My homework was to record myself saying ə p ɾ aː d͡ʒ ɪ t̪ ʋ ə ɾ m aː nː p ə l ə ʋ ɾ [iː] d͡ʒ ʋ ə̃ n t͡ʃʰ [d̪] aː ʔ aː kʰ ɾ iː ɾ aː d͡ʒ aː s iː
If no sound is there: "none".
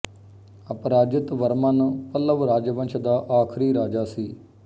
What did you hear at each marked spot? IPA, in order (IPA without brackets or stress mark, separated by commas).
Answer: aː, d̪